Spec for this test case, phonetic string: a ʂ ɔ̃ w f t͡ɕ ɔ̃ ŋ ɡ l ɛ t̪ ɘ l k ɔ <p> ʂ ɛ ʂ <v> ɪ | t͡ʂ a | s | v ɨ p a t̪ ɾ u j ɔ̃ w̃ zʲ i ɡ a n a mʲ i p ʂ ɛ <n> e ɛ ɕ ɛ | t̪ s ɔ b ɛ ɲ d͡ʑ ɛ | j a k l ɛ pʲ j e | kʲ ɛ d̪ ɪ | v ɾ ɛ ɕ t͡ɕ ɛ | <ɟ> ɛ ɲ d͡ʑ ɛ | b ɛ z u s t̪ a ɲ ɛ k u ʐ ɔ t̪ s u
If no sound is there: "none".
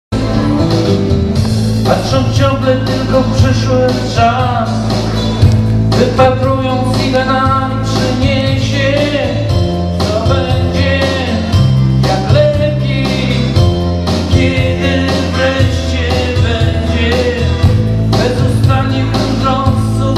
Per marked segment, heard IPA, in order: p, w, ɲ, b

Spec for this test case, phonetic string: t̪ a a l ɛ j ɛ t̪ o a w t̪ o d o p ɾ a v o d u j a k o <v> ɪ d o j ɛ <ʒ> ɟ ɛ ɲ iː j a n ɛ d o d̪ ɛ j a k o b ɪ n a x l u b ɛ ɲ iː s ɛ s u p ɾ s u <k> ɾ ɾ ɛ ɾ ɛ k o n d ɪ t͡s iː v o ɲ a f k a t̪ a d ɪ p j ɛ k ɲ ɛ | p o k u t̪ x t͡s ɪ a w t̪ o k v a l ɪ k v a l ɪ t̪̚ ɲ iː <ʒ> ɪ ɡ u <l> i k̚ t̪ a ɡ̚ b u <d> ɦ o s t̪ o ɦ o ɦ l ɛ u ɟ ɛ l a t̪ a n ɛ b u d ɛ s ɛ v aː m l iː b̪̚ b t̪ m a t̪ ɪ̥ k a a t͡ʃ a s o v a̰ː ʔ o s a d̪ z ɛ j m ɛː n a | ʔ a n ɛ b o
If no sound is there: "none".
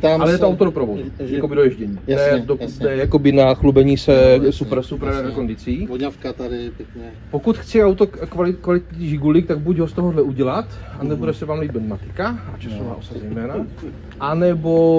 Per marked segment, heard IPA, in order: b, ʒ, p, ʒ, l, ɟ

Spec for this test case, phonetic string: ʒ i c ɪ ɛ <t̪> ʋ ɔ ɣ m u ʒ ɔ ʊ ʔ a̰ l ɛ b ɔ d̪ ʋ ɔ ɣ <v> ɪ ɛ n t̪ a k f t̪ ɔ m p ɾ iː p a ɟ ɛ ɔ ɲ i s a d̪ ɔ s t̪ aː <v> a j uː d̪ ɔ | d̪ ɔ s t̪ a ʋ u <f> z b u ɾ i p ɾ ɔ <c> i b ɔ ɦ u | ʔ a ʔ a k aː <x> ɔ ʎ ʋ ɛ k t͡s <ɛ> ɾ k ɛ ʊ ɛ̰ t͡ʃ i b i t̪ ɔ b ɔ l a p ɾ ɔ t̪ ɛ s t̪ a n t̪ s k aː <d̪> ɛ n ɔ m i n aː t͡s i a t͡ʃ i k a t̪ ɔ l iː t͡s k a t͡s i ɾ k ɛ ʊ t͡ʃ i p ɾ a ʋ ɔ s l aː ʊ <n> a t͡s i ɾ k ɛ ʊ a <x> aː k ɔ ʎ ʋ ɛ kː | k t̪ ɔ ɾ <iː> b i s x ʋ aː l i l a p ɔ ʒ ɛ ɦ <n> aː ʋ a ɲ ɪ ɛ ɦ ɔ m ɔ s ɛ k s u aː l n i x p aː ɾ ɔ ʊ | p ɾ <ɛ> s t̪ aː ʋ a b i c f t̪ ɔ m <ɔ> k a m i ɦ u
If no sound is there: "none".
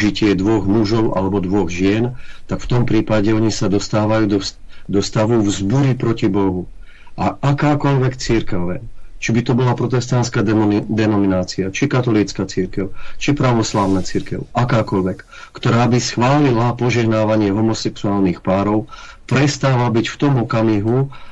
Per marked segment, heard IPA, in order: d̪, ʒ, ʋ, v, c, k, i, d̪, n, k, aː, n, ɛ, ɔ

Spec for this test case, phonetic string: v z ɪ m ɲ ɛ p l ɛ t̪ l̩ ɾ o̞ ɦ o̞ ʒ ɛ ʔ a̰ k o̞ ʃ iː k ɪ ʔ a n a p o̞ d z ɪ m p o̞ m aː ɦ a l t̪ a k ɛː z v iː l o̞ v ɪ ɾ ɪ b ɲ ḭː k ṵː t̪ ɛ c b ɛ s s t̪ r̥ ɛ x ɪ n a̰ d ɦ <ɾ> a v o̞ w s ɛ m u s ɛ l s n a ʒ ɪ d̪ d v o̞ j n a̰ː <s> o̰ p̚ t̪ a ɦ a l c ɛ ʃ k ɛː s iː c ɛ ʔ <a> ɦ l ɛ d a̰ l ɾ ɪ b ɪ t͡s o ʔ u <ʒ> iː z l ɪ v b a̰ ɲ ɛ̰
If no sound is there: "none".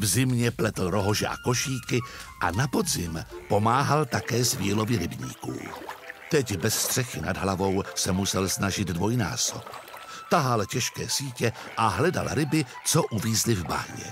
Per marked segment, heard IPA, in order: l, s, a, v

